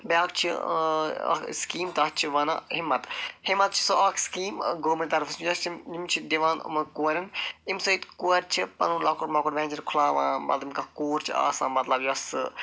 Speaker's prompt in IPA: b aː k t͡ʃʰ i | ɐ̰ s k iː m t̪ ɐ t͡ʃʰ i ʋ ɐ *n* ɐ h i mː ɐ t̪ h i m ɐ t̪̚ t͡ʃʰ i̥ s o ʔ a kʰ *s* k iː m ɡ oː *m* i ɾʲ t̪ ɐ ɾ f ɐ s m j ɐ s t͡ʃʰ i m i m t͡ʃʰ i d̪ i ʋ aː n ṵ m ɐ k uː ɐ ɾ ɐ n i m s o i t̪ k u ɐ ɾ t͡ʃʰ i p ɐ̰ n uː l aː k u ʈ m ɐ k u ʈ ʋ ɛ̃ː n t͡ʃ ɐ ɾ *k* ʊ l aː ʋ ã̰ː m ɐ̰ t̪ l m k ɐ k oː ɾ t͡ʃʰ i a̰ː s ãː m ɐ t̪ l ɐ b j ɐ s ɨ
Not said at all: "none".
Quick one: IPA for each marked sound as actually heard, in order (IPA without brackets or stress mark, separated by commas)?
n, s, m, kʰ